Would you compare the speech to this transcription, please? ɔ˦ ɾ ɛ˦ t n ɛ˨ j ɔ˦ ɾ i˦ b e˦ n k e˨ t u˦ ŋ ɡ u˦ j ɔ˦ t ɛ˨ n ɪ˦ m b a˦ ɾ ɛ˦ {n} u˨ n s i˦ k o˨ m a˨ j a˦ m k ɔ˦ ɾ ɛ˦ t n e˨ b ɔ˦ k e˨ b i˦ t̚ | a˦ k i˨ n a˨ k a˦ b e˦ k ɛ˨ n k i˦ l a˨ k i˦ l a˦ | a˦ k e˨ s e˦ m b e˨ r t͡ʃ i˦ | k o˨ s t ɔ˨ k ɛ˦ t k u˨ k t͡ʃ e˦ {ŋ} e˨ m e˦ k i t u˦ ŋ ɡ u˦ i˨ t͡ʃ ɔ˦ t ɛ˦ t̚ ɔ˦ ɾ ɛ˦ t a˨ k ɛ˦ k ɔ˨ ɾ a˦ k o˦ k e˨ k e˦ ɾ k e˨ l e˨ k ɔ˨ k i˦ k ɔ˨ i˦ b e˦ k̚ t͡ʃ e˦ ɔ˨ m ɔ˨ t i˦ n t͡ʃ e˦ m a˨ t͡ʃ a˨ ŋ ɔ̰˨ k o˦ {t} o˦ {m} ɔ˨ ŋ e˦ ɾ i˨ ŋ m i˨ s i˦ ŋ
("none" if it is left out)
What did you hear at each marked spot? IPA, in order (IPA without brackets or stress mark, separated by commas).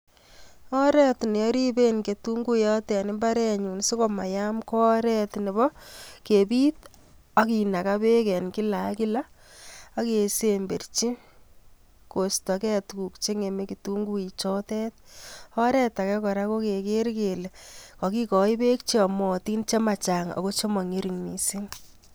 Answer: ɲ, ŋ, t͡ʃ, m